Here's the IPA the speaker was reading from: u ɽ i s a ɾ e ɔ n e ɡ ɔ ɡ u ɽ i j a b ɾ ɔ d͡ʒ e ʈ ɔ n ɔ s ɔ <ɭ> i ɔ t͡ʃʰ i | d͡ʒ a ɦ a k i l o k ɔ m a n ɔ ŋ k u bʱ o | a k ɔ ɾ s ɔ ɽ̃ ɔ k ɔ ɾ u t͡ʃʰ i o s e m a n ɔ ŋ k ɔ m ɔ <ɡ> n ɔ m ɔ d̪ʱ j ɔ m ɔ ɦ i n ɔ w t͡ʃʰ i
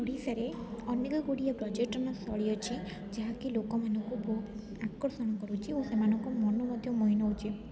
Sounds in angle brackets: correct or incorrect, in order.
correct, incorrect

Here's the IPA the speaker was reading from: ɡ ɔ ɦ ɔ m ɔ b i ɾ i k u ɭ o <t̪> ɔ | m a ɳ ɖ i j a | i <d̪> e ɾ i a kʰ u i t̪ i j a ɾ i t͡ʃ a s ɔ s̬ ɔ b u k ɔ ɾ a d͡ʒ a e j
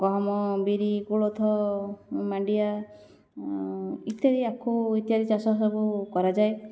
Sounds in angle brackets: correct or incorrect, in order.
incorrect, incorrect

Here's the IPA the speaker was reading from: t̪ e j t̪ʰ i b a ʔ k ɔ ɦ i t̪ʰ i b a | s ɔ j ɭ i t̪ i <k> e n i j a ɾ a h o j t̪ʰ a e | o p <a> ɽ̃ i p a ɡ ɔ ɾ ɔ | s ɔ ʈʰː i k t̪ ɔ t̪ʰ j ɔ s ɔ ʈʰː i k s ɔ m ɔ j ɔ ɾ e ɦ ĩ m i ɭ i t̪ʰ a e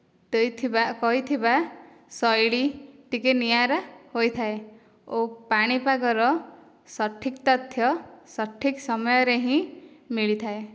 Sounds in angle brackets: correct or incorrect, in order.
correct, correct

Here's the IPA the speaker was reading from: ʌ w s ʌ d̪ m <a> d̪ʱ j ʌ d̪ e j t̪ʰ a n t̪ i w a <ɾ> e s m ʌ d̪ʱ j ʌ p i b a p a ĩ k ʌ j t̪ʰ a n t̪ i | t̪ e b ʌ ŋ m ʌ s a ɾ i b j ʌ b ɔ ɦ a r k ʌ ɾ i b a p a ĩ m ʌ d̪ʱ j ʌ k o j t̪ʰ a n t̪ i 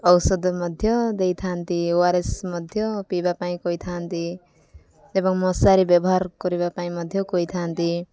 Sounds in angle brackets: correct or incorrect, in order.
incorrect, correct

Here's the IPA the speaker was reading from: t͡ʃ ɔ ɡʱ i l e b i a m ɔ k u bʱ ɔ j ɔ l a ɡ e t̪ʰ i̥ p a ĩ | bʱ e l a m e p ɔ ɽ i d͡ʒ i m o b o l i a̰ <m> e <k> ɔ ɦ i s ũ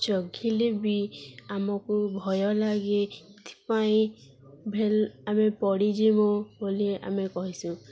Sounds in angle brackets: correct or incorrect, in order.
correct, correct

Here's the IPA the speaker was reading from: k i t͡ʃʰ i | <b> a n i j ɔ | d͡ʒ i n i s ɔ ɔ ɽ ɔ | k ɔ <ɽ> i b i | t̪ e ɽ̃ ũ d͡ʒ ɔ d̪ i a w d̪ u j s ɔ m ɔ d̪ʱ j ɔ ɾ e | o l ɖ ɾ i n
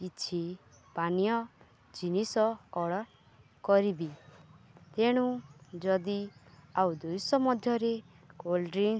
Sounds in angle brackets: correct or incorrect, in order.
incorrect, incorrect

